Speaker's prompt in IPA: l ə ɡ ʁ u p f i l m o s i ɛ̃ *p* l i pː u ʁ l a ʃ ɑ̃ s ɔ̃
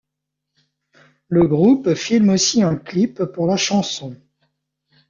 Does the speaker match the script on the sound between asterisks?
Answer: no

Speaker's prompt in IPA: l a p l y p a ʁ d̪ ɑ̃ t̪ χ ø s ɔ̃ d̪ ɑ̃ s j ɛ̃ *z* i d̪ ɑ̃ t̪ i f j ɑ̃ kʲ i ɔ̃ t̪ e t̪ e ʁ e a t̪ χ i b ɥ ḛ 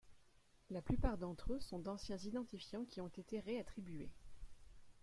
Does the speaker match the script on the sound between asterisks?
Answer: yes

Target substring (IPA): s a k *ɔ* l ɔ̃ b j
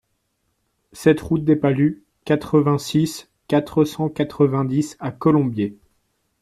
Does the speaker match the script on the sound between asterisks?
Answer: yes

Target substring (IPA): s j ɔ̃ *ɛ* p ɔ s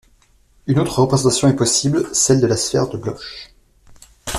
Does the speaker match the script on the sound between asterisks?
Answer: yes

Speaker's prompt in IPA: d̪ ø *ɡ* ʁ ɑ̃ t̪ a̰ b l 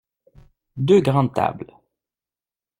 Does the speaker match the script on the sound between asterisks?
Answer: yes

